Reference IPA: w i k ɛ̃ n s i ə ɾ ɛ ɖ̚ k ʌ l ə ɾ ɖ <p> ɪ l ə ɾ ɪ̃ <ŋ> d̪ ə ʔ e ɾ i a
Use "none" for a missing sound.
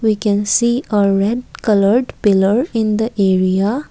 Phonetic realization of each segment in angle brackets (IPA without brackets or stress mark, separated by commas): p, n